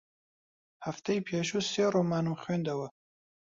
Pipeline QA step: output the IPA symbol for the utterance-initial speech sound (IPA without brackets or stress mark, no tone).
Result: h